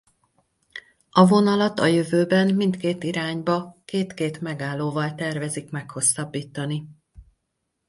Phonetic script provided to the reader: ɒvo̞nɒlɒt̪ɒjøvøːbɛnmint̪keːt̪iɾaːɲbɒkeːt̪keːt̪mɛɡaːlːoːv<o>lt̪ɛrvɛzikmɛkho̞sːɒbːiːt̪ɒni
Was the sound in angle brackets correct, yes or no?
no